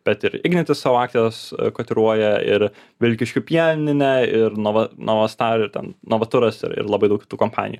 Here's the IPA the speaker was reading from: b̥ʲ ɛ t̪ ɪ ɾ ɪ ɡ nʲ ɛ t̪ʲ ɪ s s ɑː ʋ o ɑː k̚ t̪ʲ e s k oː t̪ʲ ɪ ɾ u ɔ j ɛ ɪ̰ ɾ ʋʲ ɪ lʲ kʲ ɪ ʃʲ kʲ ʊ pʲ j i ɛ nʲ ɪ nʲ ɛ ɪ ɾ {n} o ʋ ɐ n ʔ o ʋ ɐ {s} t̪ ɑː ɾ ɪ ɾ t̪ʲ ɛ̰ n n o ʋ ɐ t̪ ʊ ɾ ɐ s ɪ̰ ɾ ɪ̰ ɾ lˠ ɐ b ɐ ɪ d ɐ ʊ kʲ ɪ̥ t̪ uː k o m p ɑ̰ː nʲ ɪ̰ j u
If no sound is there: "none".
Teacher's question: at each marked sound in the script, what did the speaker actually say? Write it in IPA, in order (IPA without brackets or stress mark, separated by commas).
n, s